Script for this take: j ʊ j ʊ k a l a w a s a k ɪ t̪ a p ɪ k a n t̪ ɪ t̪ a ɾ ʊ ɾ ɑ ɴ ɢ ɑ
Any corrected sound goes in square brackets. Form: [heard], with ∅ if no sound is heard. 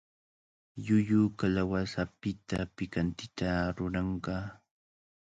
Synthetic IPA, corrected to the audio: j ʊ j ʊ k a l a w a s a [p] ɪ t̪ a p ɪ k a n t̪ ɪ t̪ a ɾ ʊ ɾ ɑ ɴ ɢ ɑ